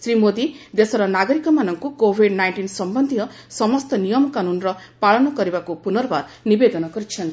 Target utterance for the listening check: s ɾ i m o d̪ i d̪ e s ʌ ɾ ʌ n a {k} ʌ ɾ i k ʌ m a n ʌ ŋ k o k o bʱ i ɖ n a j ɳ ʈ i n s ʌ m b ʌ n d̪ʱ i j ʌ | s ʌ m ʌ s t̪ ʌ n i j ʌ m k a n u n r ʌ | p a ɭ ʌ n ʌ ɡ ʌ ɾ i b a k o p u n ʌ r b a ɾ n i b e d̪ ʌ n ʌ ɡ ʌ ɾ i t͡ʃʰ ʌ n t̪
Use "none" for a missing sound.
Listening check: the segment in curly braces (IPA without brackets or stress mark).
ɡ